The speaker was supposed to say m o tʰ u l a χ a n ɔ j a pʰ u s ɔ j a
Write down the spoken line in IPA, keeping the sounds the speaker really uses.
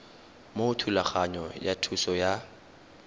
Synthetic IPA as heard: m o tʰ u l a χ a ɲ ɔ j a tʰ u s ɔ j a